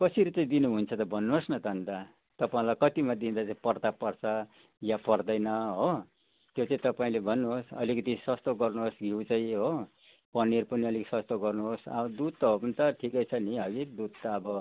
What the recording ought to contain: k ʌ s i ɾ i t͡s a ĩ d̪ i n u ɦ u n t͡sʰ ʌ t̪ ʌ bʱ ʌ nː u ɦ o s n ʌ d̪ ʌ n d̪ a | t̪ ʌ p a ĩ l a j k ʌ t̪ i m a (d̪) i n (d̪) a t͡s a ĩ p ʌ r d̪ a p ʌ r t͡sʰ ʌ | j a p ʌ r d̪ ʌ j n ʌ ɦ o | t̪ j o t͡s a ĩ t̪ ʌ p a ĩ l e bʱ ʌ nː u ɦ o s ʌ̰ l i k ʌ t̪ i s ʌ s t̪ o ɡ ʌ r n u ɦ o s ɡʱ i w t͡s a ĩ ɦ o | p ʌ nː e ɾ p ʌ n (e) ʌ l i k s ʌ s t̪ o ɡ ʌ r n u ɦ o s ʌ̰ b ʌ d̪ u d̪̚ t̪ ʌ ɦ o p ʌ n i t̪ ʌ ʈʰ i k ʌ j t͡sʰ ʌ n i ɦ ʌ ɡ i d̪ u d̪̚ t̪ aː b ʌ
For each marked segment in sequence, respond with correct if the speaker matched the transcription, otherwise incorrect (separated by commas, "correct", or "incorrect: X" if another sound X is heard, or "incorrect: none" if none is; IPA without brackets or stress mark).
correct, correct, incorrect: i